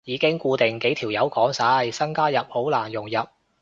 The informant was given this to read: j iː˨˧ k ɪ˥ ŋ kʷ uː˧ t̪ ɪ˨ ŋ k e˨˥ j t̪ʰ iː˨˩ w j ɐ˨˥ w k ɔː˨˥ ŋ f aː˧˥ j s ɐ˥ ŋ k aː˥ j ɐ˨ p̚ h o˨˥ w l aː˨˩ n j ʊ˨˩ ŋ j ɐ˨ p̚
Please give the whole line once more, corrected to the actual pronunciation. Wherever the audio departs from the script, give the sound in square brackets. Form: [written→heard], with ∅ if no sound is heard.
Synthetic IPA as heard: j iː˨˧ k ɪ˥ ŋ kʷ uː˧ t̪ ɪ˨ ŋ k e˨˥ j t̪ʰ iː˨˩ w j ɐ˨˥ w k ɔː˨˥ ŋ [f→s] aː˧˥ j s ɐ˥ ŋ k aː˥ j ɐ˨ p̚ h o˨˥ w l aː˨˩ n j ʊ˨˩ ŋ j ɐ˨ p̚